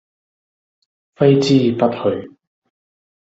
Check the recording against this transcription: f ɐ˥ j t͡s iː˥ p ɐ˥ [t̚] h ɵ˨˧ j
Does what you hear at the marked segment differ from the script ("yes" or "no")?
no